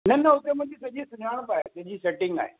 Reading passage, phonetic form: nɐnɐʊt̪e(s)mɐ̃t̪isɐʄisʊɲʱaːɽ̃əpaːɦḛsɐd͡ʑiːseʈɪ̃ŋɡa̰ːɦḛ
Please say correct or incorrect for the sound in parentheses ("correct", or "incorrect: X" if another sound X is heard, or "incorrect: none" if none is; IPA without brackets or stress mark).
incorrect: none